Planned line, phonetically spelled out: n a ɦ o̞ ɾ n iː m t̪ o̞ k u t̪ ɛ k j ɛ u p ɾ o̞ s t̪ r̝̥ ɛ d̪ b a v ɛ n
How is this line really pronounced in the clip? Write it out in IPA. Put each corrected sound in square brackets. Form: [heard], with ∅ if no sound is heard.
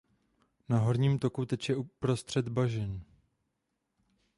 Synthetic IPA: n a ɦ o̞ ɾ [ɲ] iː m t̪ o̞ k u t̪ ɛ [c] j ɛ u p ɾ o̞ s t̪ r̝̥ ɛ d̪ b a [ʒ] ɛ n